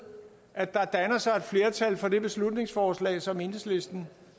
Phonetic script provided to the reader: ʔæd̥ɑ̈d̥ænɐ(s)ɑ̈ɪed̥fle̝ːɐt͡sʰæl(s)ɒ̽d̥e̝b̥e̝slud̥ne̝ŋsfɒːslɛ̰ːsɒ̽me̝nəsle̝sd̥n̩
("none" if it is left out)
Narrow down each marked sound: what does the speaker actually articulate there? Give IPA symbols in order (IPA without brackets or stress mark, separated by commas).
s, f